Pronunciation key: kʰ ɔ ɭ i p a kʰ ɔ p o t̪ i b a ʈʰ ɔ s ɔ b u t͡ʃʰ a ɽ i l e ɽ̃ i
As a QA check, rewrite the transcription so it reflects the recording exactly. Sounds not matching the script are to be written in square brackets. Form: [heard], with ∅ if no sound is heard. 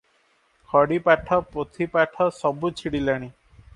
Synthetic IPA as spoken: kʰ ɔ [ɽ] i p a [ʈʰ] ɔ p o [t̪ʰ] i [p] a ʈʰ ɔ s ɔ b u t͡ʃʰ [i] ɽ i l [a] ɽ̃ i